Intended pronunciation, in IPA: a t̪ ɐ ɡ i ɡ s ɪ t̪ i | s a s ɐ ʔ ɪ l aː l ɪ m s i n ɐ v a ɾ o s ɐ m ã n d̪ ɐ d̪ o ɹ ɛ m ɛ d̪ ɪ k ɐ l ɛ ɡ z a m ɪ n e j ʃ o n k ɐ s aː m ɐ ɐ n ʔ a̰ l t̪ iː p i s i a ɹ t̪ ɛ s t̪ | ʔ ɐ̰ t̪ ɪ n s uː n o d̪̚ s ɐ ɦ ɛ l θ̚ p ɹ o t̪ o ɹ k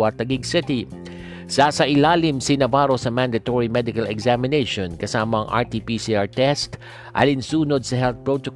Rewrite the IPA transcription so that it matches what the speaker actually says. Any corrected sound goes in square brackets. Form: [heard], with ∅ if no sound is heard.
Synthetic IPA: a t̪ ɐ ɡ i ɡ s ɪ t̪ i | s a s ɐ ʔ ɪ l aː l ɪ m s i n ɐ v a ɾ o s ɐ m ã n d̪ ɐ [t̪] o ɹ [i] m ɛ d̪ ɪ k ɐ l ɛ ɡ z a m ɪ n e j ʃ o n k ɐ s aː m ɐ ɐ [ŋ] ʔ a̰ [ɹ] t̪ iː p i s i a ɹ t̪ ɛ s t̪ | ʔ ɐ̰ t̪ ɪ n s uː n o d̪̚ s ɐ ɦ ɛ l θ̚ p ɹ o t̪ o [∅] k